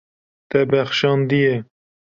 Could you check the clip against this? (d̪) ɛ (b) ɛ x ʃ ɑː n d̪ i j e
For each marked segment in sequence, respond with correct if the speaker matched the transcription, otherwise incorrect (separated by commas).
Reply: incorrect, correct